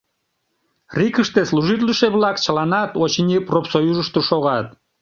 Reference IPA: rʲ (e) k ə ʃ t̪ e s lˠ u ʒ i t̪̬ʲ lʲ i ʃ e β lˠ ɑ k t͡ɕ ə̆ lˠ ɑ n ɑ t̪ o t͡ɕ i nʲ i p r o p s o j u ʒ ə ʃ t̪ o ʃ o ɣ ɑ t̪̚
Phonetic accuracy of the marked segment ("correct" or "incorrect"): incorrect